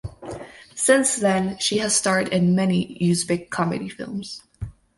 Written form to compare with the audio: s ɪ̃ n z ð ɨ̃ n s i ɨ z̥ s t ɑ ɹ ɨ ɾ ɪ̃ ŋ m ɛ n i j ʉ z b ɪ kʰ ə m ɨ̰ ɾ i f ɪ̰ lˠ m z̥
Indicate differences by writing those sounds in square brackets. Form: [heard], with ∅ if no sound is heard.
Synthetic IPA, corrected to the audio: s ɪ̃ n [s] ð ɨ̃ n [ʃ] i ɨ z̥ s t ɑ ɹ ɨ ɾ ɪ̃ [n] m ɛ n i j ʉ z b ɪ kʰ [ɑ] m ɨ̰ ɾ i f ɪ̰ lˠ m z̥